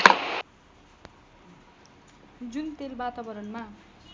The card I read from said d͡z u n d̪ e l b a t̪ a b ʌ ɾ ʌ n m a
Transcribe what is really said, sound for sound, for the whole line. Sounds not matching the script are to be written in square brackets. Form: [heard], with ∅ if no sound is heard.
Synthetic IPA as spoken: d͡z u n [t̪] e l b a t̪ a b ʌ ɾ ʌ n m a